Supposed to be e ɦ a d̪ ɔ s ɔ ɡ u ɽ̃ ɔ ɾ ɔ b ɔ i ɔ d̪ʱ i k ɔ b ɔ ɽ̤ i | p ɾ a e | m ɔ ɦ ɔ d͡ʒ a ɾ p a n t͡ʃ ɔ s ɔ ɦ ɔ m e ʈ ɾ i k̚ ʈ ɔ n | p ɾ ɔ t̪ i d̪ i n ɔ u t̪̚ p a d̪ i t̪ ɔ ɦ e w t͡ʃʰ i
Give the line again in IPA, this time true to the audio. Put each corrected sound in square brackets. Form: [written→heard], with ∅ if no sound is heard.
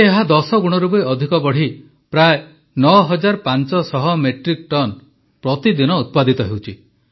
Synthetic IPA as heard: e ɦ a d̪ ɔ s ɔ ɡ u ɽ̃ ɔ ɾ [ɔ→u] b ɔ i ɔ d̪ʱ i k ɔ b ɔ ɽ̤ i | p ɾ a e | [m→n] ɔ ɦ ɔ d͡ʒ a ɾ p a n t͡ʃ ɔ s ɔ ɦ ɔ m e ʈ ɾ i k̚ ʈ ɔ n | p ɾ ɔ t̪ i d̪ i n ɔ u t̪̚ p a d̪ i t̪ ɔ ɦ e w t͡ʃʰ i